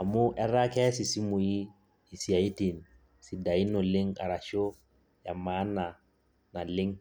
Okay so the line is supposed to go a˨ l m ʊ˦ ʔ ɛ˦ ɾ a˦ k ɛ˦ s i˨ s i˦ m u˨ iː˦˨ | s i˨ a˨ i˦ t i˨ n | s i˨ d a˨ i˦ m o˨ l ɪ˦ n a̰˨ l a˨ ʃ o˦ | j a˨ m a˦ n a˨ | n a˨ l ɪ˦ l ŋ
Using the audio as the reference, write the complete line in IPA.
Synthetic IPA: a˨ m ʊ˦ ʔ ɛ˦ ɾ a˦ k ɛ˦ s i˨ s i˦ m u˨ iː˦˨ | s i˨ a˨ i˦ t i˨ n | s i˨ d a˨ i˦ n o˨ l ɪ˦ ŋ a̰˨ ɾ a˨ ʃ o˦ | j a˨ m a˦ n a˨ | n a˨ l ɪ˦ ŋ